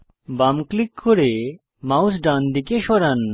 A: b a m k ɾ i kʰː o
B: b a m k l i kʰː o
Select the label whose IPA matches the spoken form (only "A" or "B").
B